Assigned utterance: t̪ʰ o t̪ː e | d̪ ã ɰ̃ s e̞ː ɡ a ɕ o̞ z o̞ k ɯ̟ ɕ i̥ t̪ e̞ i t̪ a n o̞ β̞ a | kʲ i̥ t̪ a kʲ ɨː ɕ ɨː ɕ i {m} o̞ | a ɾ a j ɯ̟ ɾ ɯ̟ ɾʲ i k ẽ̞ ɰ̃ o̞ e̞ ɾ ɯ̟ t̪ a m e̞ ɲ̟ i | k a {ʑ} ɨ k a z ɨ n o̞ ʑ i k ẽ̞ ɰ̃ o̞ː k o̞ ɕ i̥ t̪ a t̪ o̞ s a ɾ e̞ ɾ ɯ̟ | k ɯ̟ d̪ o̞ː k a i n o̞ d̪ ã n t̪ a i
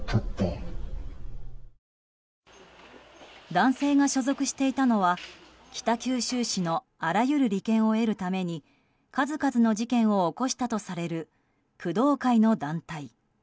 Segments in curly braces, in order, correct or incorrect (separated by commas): incorrect, incorrect